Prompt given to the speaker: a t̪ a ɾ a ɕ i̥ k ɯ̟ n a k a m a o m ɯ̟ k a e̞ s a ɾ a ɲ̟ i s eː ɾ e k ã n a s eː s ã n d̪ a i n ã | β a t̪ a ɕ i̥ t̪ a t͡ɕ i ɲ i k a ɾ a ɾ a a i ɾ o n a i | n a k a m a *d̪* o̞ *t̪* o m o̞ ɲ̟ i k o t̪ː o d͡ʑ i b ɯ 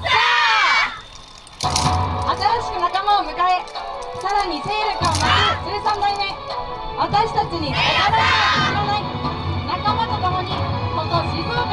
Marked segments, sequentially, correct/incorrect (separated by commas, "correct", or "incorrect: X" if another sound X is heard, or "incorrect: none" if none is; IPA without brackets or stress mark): incorrect: t̪, correct